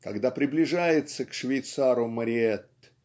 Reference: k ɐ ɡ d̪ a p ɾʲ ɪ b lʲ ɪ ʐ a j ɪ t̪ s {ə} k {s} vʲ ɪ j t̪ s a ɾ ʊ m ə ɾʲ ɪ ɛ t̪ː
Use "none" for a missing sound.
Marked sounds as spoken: ə, ʂ

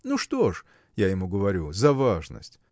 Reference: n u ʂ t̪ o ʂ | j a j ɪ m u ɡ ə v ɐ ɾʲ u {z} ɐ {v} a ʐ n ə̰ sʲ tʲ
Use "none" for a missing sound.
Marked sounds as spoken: z, v

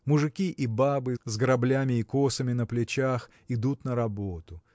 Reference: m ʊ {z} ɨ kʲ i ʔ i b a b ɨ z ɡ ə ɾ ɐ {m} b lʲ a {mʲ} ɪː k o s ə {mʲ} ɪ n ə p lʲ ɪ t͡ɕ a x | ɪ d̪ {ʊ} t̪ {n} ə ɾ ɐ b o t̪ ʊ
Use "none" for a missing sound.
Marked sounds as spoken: ʐ, none, mʲ, mʲ, u, n

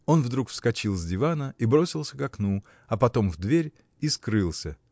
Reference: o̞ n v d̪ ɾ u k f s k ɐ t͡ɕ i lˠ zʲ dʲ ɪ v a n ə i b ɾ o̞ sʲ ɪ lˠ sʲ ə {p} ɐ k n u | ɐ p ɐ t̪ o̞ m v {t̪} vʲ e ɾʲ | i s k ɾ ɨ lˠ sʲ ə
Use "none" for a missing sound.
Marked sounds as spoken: k, d̪

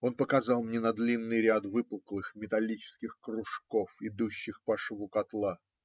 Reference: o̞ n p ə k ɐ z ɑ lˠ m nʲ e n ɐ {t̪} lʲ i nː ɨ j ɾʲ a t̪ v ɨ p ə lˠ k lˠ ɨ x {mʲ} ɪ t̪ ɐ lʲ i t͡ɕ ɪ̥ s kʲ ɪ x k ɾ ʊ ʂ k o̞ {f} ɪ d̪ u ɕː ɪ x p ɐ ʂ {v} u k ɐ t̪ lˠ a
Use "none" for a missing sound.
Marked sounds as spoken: d̪, mʲ, f, v

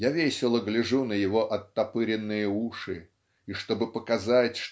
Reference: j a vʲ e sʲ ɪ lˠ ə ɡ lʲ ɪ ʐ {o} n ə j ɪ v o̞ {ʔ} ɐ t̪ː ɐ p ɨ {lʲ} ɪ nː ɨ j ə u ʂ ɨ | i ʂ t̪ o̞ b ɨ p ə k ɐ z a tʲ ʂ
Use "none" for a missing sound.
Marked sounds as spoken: u, ʔ, ɾʲ

